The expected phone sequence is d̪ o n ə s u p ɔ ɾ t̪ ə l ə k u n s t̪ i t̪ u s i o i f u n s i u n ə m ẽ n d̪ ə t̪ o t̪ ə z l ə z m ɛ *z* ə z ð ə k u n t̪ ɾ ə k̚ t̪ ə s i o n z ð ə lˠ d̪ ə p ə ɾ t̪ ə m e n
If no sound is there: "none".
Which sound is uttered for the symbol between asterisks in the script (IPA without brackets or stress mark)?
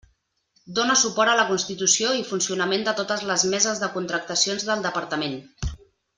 z